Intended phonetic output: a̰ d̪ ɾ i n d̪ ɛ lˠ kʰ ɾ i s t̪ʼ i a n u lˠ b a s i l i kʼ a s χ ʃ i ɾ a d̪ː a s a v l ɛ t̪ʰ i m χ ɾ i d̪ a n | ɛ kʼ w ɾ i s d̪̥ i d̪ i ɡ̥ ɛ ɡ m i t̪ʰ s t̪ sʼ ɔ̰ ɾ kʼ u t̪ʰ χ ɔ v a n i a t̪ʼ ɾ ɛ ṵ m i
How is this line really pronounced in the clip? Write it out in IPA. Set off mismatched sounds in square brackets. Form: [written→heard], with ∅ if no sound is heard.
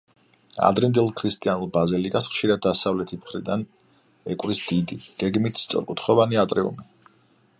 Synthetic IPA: a̰ d̪ ɾ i n d̪ ɛ lˠ kʰ ɾ i s t̪ʼ i a n u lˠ b a [s→z] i l i kʼ a s χ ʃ i ɾ a d̪ː a s a v l ɛ t̪ʰ i m χ ɾ i d̪ a n | ɛ kʼ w ɾ i s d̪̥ i d̪ i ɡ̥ ɛ ɡ m i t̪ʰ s t̪ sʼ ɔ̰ ɾ kʼ u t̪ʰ χ ɔ v a n i a t̪ʼ ɾ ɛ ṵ m i